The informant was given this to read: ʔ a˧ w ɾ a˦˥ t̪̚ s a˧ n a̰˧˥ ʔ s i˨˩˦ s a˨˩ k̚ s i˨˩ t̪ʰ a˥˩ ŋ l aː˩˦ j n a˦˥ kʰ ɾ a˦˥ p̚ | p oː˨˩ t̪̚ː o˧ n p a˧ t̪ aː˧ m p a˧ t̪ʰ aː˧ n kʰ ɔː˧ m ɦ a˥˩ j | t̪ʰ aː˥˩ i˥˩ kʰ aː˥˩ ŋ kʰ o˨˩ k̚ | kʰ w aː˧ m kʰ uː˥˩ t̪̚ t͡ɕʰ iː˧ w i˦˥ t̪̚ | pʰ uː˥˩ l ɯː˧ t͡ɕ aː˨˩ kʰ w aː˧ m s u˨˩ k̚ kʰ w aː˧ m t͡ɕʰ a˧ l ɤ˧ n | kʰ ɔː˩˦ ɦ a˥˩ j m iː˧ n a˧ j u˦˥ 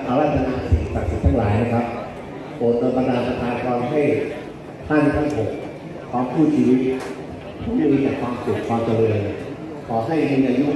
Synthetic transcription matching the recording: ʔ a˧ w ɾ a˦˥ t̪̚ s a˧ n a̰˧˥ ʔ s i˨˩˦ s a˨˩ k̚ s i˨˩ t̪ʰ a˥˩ ŋ l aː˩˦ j n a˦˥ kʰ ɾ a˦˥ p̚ | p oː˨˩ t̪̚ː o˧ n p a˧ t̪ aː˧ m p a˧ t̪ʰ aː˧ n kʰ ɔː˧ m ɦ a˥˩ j | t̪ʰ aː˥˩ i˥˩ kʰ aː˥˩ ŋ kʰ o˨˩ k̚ | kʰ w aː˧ m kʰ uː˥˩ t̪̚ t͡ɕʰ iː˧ w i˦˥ t̪̚ | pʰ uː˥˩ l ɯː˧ t͡ɕ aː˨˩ kʰ w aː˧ m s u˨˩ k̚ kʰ w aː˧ m t͡ɕ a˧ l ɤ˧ n | kʰ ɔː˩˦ ɦ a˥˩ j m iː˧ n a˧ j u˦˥